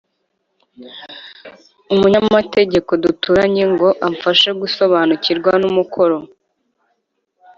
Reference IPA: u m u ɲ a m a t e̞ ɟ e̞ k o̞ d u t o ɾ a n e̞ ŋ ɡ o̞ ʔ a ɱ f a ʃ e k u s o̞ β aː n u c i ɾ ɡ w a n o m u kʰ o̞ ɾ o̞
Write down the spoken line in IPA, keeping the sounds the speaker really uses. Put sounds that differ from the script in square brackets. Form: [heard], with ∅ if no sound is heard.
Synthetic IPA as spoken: u m u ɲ a m a t e̞ ɟ e̞ k o̞ d u t [u] ɾ a [ɲ] e̞ ŋ ɡ o̞ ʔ a ɱ f a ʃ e [ɡ] u s o̞ β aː n u c i ɾ ɡ w a n [u] m u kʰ o̞ ɾ o̞